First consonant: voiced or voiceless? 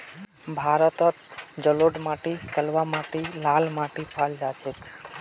voiced